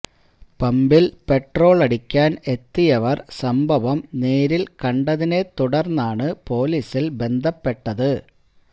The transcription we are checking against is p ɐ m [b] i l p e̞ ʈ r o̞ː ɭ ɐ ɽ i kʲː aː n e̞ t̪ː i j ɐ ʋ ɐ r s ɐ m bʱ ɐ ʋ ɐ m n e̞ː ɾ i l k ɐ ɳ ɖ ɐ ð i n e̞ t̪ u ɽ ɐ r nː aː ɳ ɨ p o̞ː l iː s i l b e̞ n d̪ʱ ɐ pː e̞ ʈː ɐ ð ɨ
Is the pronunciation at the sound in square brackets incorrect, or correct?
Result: correct